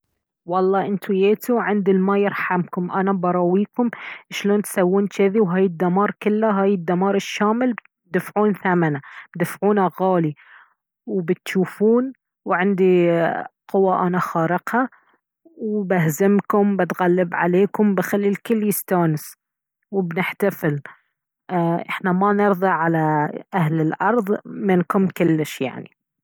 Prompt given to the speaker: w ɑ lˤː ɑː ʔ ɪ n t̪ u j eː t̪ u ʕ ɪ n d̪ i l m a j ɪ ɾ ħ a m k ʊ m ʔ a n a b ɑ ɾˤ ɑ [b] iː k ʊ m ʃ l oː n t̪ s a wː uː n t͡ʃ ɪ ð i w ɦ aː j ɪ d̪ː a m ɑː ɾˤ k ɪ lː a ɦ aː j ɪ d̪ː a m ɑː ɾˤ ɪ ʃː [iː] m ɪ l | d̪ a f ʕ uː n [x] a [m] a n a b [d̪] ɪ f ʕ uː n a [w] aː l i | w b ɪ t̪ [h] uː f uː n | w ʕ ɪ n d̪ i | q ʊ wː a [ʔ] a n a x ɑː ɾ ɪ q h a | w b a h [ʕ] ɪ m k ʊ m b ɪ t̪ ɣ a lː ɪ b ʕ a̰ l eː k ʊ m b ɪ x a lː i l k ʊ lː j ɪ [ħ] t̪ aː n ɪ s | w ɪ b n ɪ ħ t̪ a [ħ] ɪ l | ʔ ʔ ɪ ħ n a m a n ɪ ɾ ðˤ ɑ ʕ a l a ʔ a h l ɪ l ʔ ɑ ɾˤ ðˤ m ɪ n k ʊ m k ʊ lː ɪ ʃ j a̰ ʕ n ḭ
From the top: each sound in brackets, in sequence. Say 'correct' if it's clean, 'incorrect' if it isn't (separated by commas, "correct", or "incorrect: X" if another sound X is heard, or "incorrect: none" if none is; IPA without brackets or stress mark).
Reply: incorrect: w, incorrect: aː, incorrect: θ, correct, correct, incorrect: ɣ, incorrect: ʃ, correct, incorrect: z, incorrect: s, incorrect: f